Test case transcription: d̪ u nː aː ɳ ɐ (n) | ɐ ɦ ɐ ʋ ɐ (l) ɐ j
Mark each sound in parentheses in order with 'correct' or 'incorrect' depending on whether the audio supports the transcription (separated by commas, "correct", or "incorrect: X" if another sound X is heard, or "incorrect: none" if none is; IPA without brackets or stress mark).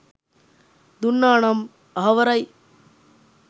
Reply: incorrect: m, incorrect: ɾ